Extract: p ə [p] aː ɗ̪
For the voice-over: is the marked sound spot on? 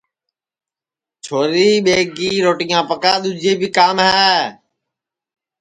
no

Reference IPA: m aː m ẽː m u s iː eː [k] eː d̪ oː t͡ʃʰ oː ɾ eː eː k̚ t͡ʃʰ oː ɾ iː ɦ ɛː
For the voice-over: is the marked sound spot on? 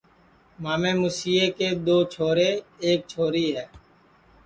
yes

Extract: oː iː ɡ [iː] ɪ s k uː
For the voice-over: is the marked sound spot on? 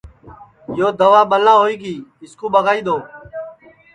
yes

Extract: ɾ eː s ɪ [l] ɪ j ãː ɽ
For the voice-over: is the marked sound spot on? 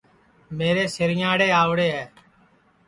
no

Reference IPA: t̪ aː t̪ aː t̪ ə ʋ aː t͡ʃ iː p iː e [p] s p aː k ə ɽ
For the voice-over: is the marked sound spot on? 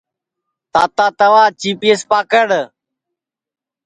no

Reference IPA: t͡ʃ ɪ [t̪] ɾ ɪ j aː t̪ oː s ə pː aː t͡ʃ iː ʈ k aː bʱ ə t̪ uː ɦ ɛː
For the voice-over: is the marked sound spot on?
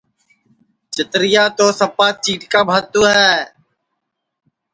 yes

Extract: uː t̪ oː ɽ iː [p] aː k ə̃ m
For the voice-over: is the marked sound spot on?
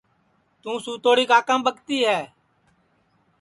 no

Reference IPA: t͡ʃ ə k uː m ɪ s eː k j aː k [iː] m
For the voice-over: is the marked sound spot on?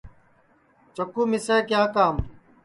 no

